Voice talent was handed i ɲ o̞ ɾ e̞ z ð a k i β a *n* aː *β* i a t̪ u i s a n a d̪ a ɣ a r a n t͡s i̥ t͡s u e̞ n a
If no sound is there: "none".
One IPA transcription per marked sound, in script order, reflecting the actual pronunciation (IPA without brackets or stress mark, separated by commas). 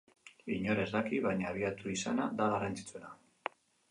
ɲ, β